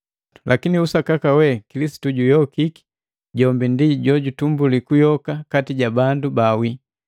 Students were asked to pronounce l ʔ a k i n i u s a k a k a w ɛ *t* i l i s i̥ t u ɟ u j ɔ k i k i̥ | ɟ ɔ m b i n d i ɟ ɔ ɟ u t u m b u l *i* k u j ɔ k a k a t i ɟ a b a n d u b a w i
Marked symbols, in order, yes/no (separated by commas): no, yes